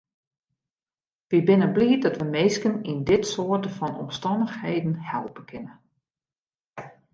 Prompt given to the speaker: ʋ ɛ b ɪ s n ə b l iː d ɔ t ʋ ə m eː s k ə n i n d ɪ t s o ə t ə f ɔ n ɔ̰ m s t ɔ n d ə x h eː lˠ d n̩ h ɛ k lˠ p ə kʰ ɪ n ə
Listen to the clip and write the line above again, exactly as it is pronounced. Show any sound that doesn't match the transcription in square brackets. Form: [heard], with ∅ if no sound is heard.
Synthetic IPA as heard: ʋ [i] b ɪ [∅] n ə b l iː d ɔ t ʋ ə m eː s k ə n i n d ɪ t s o ə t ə f ɔ n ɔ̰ m s t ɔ n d ə x h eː [∅] d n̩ h ɛ [∅] lˠ p ə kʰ ɪ n ə